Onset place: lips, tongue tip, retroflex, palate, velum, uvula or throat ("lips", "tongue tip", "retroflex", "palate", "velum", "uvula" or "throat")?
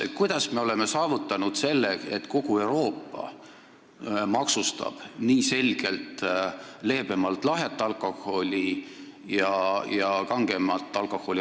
velum